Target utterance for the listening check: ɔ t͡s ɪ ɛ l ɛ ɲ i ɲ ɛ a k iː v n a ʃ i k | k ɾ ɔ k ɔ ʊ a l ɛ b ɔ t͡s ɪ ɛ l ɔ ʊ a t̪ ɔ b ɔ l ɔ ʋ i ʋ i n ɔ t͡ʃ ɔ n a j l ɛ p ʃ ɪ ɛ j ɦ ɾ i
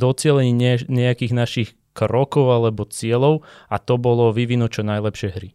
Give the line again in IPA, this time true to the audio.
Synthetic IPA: ɔ t͡s ɪ ɛ l ɛ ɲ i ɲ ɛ a k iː ɣ n a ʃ i x | k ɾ ɔ k ɔ ʊ a l ɛ b ɔ t͡s ɪ ɛ l ɔ ʊ a t̪ ɔ b ɔ l ɔ ʋ i ʋ i n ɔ t͡ʃ ɔ n a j l ɛ p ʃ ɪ ɛ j ɦ ɾ i